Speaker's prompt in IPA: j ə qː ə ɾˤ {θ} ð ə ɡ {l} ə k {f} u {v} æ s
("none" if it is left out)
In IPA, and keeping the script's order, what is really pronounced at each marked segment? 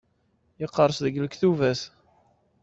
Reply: s, l, θ, v

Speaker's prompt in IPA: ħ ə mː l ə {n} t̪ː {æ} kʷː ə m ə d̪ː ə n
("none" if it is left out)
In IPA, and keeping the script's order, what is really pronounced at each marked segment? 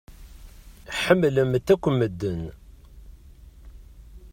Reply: m, æ

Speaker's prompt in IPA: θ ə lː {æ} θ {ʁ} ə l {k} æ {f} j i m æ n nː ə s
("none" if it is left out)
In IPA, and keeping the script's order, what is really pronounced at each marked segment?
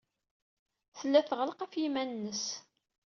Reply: æ, ʁ, q, f

